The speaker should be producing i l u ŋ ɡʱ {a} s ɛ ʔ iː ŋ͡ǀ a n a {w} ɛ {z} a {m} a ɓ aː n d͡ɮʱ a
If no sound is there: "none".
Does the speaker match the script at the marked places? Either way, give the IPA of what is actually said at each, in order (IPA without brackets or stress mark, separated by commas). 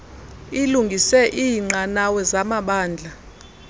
i, w, z, m